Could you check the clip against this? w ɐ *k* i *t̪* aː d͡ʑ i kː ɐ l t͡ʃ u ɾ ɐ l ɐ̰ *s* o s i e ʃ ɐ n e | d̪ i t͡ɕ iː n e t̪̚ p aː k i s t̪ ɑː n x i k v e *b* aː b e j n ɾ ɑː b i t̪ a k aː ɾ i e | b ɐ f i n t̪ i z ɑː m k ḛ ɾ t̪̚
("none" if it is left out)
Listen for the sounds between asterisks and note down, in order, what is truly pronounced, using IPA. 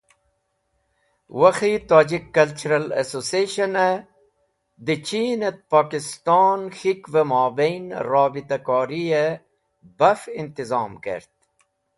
x, t̪, s, m

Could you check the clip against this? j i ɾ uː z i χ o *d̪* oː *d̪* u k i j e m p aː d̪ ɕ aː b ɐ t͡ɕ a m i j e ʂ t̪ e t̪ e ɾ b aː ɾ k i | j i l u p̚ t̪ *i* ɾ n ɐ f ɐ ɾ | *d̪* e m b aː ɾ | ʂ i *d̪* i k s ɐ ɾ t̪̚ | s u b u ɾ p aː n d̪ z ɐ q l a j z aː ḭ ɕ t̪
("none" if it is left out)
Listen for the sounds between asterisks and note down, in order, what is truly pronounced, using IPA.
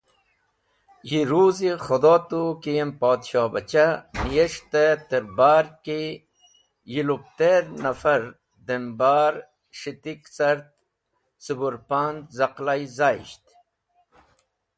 d̪, t̪, e, d̪, t̪

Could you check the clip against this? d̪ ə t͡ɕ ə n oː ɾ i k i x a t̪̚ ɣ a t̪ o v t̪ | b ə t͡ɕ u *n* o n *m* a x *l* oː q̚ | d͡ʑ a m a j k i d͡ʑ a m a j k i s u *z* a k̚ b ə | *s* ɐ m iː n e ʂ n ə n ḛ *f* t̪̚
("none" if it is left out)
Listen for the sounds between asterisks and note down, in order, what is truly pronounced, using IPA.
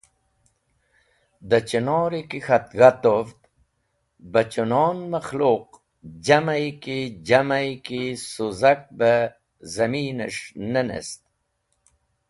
n, m, l, z, z, s

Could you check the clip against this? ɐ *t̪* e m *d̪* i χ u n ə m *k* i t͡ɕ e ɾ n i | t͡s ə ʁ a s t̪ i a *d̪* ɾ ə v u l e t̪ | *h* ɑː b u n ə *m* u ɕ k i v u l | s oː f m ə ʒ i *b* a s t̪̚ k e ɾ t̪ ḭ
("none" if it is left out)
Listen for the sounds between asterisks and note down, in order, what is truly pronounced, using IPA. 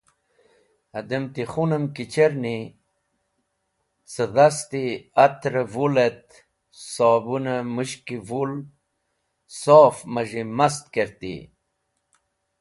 d̪, t̪, k, t̪, s, m, m

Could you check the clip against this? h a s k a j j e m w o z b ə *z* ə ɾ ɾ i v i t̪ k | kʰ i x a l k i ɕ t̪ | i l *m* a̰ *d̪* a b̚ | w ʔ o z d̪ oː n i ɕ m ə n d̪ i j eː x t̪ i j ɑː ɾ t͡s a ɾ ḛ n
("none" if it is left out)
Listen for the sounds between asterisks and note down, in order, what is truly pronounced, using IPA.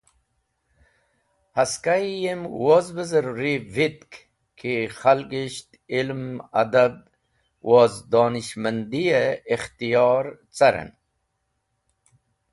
z, m, d̪

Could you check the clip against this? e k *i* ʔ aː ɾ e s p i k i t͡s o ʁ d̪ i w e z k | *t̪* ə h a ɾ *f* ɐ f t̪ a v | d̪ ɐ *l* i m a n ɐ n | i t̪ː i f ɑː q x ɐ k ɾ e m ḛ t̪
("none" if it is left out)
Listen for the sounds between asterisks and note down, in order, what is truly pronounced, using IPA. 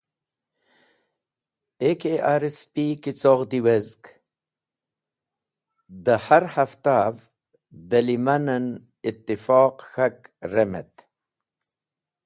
e, d̪, h, l

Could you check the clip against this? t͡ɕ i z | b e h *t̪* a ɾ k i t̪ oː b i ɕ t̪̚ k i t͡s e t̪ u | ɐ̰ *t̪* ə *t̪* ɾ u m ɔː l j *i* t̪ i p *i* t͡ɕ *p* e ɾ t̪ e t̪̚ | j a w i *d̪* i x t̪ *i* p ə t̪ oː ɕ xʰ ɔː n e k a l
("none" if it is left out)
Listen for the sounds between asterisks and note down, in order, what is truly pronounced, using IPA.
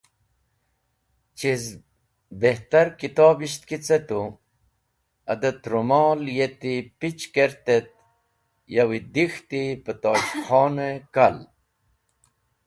t̪, d̪, t̪, e, i, k, d̪, i

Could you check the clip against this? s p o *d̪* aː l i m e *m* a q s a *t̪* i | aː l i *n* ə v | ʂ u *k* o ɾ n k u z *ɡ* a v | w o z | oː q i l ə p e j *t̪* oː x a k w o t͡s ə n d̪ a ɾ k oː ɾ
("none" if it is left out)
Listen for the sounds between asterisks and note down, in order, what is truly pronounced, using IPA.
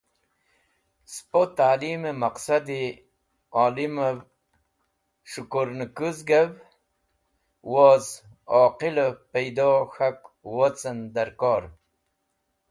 t̪, m, d̪, m, k, ɡ, d̪

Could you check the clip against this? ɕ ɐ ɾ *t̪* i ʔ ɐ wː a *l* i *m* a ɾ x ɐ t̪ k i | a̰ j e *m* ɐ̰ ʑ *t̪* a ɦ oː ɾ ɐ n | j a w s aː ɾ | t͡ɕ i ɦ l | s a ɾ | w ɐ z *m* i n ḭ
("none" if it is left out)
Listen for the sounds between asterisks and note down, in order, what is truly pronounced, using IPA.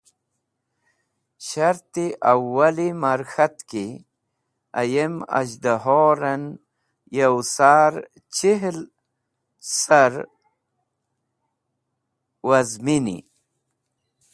t̪, l, m, m, d̪, m

